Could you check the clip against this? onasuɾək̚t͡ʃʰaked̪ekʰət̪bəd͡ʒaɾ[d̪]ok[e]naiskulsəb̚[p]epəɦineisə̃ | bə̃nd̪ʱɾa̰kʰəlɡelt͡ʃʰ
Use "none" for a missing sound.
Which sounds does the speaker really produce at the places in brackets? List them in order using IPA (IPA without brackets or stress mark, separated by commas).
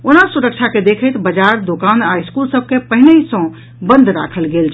d̪, a, k